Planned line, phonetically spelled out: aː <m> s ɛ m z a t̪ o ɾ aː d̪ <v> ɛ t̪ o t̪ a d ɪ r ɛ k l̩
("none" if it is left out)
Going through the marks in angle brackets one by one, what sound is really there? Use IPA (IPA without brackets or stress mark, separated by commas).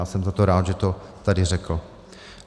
none, ʒ